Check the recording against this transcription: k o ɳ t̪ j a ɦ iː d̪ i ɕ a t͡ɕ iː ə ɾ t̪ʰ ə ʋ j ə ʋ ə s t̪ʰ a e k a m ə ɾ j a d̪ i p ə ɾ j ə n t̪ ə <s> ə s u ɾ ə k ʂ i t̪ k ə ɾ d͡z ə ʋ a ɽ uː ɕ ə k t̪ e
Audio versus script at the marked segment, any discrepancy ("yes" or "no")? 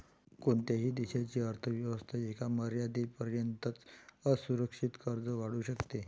yes